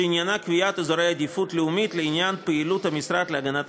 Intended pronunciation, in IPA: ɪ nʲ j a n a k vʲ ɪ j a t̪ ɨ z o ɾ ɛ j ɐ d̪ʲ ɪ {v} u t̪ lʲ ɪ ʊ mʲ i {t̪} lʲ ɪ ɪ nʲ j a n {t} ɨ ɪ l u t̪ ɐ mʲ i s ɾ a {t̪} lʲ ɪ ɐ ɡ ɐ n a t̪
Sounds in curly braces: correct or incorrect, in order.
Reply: incorrect: f, correct, incorrect: p, correct

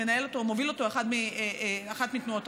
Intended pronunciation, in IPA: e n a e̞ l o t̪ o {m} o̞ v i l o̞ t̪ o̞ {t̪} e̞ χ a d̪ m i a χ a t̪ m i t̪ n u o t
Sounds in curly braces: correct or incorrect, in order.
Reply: correct, incorrect: none

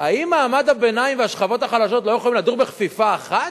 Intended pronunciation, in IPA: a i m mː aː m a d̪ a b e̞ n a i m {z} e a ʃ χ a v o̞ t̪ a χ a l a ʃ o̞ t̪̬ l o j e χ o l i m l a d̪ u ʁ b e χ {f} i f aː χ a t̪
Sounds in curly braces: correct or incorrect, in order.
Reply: incorrect: v, correct

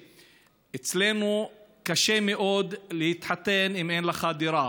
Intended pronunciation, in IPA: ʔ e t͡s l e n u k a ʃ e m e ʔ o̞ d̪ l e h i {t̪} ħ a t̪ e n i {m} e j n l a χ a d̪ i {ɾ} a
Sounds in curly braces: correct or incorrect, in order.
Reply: correct, correct, correct

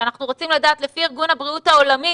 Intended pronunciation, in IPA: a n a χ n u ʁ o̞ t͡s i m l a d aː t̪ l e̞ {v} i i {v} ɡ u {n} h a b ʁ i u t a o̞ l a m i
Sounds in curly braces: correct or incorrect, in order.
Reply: incorrect: f, incorrect: ʁ, correct

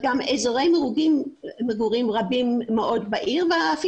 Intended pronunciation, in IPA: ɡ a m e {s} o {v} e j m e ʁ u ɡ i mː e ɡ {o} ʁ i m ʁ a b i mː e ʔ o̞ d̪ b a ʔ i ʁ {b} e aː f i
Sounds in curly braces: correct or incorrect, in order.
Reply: incorrect: z, incorrect: ʁ, incorrect: u, incorrect: v

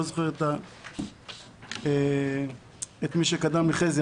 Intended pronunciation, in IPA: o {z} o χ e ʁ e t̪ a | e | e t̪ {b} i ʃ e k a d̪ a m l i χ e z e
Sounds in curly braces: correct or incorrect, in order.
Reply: correct, incorrect: m

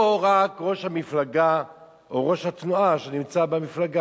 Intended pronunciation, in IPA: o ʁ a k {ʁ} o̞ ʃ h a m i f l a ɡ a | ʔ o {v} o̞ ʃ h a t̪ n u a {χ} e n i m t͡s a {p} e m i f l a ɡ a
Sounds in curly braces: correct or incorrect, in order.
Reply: correct, incorrect: ʁ, incorrect: ʃ, incorrect: b

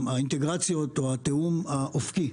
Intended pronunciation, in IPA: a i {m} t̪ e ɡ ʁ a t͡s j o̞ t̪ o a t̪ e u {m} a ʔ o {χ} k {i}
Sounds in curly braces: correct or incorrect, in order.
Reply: incorrect: n, correct, incorrect: f, correct

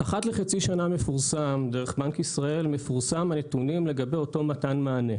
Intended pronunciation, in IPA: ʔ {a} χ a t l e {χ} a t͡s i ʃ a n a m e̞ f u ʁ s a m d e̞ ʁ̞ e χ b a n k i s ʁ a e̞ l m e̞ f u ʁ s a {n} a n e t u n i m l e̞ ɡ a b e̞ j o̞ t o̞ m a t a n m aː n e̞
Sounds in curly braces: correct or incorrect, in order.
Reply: correct, correct, incorrect: m

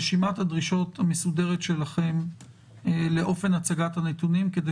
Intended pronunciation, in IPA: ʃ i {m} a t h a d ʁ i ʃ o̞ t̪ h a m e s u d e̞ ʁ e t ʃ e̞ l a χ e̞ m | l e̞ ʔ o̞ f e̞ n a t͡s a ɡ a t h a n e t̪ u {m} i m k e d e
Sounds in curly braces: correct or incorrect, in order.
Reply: correct, incorrect: n

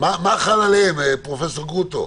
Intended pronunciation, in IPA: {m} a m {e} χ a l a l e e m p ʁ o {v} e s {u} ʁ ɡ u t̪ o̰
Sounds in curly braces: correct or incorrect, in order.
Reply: correct, incorrect: a, incorrect: f, incorrect: o

